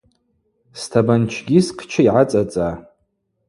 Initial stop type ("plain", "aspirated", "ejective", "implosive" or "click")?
aspirated